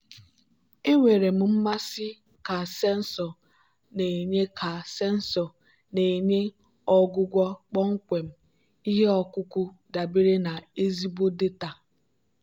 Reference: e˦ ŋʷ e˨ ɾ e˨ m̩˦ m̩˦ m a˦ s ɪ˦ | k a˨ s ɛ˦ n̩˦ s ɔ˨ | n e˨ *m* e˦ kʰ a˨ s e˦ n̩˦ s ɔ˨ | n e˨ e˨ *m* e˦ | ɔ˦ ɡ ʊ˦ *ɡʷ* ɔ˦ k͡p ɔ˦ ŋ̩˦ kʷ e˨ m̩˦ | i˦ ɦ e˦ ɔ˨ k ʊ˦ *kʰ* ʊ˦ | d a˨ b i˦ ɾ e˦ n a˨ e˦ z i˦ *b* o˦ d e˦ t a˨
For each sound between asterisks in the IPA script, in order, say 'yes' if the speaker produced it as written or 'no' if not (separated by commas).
no, no, yes, no, yes